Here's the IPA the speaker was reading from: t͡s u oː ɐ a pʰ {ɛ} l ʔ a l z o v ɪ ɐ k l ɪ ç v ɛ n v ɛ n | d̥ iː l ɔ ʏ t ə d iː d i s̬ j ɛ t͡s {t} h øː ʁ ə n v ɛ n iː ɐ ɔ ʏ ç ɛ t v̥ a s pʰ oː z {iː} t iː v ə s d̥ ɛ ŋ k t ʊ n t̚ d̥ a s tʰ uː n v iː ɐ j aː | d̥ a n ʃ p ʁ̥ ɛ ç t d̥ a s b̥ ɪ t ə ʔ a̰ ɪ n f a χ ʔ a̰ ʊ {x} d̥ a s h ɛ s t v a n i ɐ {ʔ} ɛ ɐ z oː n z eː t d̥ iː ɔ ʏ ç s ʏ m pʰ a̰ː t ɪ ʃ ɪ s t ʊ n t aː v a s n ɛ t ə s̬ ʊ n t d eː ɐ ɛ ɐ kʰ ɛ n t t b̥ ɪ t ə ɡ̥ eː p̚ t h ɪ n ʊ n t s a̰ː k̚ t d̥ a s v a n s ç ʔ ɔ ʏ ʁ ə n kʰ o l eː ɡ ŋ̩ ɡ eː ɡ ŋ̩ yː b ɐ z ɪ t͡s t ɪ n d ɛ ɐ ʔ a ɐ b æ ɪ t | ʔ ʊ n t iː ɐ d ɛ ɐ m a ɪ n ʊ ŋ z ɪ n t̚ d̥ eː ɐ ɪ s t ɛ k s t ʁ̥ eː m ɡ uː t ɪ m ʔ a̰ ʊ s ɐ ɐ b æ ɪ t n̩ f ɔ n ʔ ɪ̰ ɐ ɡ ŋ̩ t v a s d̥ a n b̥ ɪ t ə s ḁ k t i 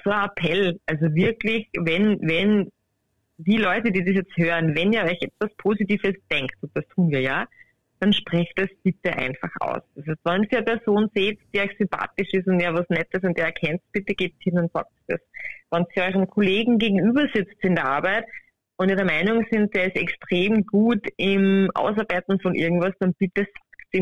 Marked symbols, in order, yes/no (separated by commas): yes, yes, no, no, no